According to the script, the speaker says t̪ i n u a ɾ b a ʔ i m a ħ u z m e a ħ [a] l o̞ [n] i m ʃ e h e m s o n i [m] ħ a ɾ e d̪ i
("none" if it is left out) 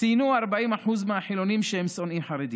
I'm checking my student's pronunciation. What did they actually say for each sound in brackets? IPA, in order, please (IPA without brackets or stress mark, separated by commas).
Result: i, n, m